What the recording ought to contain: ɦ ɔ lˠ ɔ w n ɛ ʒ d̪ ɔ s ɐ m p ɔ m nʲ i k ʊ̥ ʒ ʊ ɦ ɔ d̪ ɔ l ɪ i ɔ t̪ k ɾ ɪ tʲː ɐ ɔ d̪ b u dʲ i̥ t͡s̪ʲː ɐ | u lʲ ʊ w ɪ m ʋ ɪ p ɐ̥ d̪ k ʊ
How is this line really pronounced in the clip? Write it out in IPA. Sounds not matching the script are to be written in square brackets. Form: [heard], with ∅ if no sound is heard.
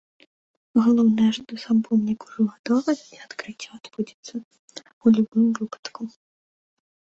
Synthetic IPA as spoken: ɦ ɔ lˠ ɔ w n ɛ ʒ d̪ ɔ s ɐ m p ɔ m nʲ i k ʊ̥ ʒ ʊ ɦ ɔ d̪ ɔ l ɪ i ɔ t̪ k ɾ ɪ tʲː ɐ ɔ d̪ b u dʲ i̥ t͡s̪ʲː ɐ | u lʲ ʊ [b] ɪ m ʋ ɪ p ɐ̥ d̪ k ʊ